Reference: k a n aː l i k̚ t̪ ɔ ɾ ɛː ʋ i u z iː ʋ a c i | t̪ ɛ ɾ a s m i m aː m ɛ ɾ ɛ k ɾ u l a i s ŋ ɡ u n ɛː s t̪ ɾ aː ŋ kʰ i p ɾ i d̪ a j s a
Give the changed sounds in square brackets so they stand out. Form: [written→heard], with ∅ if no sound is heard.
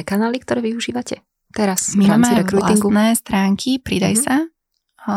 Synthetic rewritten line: k a n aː l i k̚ t̪ ɔ ɾ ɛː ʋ i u [z→ʒ] iː ʋ a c [i→ɛ] | t̪ ɛ ɾ a s m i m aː m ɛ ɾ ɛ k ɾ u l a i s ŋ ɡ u n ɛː s t̪ ɾ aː ŋ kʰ i p ɾ i d̪ a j s a